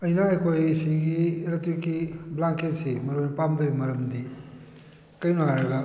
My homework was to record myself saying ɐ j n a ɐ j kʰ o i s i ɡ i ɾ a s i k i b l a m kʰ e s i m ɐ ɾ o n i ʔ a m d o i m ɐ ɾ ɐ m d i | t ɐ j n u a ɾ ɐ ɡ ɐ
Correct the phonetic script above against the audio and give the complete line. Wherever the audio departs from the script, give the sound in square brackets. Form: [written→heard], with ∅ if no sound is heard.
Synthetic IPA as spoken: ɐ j n a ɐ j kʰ o [i→j] s i ɡ i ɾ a [s→t] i k i b l a [m→ŋ] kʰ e s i m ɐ ɾ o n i [ʔ→p] a m d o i m ɐ ɾ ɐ m d i | [t→k] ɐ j n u a ɾ ɐ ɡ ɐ